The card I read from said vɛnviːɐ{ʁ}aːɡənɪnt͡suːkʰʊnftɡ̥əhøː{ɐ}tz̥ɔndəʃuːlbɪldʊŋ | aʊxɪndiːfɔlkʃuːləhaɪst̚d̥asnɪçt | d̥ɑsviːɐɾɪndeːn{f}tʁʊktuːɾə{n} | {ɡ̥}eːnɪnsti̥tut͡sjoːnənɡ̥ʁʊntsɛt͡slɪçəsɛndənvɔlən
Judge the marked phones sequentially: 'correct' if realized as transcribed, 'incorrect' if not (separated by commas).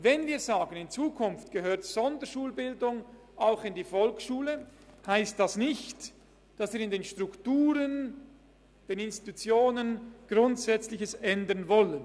incorrect, correct, incorrect, correct, incorrect